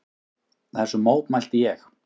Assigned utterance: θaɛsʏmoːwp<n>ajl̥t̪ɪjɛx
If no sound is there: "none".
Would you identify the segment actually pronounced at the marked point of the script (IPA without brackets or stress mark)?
m